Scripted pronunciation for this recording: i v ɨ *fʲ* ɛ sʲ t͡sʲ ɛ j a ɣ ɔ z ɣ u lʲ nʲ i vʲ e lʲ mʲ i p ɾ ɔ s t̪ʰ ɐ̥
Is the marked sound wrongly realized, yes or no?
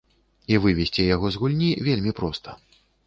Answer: yes